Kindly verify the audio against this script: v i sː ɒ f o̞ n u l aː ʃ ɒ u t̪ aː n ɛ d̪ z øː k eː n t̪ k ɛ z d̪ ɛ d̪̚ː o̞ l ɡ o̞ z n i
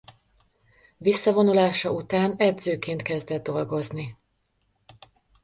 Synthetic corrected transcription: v i sː ɒ v o̞ n u l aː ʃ ɒ u t̪ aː n ɛ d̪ z øː k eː n t̪ k ɛ z d̪ ɛ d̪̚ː o̞ l ɡ o̞ z n i